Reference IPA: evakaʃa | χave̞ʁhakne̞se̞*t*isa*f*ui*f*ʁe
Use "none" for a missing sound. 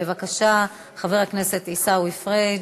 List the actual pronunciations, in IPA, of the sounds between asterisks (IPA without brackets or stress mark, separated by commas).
t, none, f